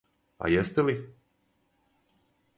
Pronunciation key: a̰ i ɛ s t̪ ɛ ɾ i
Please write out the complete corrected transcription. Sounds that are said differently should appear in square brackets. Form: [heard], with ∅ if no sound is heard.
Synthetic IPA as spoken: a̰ [j] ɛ s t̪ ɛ [l] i

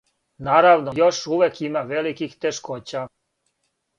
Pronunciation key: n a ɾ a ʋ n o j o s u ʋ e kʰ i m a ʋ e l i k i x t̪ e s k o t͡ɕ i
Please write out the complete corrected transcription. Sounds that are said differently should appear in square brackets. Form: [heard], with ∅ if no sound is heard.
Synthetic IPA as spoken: n a ɾ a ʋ n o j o [ʃ] u ʋ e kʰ i m a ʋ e l i k i x t̪ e [ʃ] k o t͡ɕ [a]

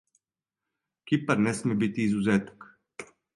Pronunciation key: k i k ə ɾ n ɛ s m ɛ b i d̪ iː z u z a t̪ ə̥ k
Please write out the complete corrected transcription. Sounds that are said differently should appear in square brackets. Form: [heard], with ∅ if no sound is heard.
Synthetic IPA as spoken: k i [p] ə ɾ n ɛ s m ɛ b i [t̪] iː z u z [ɛ] t̪ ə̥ k

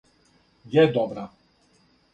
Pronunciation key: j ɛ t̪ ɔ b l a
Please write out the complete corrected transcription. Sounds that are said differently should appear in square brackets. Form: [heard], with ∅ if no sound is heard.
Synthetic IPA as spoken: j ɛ [d̪] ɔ b [ɾ] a

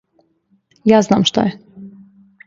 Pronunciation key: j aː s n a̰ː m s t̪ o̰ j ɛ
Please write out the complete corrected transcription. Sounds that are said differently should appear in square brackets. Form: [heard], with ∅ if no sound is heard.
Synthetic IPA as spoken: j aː [z] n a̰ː m [ʃ] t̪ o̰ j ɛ

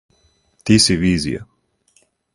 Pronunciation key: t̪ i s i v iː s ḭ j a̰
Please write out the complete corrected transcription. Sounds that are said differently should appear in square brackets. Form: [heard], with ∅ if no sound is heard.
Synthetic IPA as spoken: t̪ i s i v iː [z] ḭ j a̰

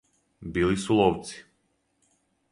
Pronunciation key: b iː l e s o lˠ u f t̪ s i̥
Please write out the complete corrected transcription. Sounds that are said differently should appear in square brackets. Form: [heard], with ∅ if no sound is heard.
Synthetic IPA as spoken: b [i] l [i] s [u] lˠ [ɔ] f t̪ s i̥

